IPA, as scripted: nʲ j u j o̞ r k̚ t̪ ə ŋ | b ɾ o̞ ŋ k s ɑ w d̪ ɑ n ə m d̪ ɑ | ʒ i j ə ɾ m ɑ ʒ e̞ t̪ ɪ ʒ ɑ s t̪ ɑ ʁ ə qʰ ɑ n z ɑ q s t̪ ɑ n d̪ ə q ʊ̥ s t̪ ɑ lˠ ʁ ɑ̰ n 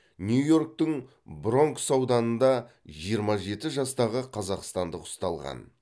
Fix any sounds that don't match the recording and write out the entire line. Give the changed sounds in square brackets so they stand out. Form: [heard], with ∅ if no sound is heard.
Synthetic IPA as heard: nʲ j u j o̞ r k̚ t̪ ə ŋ | b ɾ o̞ ŋ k s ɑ w d̪ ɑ n ə [n] d̪ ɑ | ʒ i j ə ɾ m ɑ ʒ e̞ t̪ ɪ ʒ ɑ s t̪ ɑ ʁ ə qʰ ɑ [∅] z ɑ q s t̪ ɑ n d̪ ə q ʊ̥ s t̪ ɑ lˠ ʁ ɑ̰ n